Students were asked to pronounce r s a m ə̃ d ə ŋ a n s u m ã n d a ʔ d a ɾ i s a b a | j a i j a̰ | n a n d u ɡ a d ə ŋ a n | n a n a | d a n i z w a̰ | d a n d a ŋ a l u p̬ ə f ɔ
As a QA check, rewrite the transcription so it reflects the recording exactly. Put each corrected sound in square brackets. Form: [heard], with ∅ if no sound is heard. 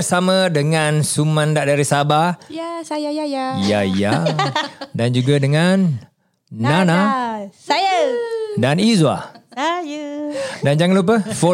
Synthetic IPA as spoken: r s a m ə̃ d ə ŋ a n s u m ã n d a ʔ d a ɾ i s a b a | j a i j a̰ | [d] a n [d͡ʒ] u ɡ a d ə ŋ a n | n a n a | d a n i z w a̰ | d a n [d͡ʒ] a ŋ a l u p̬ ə f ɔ